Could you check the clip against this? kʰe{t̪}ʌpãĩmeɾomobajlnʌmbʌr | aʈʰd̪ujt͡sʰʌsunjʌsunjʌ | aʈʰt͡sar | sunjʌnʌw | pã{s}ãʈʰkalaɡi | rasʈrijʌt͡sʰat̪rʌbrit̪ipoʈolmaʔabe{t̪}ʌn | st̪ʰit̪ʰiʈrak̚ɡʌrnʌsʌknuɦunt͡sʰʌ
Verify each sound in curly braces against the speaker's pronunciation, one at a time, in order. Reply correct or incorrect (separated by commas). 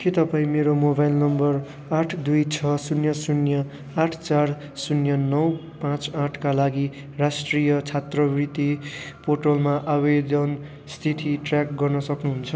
correct, incorrect, incorrect